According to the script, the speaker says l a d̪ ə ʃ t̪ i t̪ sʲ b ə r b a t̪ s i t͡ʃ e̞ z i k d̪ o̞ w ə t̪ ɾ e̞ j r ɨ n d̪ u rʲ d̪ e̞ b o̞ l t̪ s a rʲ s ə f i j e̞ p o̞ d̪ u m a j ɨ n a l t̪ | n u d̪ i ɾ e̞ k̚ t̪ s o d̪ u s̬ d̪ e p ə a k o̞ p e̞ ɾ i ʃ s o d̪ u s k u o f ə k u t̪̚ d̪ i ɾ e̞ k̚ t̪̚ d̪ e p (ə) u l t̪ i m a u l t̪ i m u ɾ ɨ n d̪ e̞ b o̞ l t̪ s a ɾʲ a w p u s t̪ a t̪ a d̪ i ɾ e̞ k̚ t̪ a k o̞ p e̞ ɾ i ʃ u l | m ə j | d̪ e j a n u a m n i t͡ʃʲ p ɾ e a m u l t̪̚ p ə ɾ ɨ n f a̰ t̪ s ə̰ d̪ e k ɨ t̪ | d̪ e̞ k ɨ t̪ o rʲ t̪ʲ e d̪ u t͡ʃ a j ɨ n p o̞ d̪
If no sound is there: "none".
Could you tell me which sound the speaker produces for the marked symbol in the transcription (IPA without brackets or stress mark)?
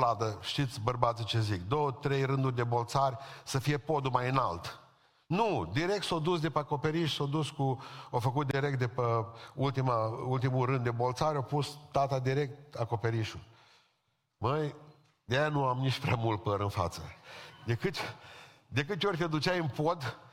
ə